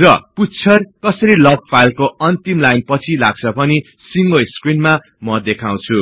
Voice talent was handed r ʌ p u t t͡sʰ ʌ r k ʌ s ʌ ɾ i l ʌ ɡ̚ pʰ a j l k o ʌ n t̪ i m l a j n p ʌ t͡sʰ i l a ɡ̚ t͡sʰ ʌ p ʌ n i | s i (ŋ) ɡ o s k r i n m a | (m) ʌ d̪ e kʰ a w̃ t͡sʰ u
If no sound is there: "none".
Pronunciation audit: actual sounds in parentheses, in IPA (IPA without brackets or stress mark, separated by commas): ŋ, m